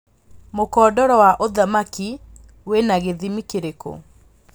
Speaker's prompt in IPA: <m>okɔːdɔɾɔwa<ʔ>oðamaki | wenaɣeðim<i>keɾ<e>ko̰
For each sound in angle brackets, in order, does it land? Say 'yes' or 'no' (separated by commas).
yes, yes, yes, yes